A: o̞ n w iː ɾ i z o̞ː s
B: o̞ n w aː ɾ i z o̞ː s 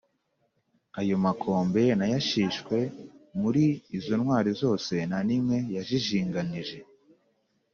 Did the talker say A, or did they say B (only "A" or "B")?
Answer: B